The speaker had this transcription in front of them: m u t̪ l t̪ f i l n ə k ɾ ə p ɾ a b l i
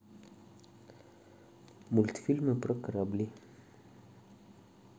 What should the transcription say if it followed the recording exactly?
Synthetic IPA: m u l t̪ f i l m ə p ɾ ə k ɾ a b l i